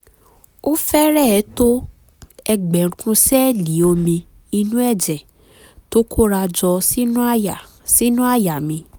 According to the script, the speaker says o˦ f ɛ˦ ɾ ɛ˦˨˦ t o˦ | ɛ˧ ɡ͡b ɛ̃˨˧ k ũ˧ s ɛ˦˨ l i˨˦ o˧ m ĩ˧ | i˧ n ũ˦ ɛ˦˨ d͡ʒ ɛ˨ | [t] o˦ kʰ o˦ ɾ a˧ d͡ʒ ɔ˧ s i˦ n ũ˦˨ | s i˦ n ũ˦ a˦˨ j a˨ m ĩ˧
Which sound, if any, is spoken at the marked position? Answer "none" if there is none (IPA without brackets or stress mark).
t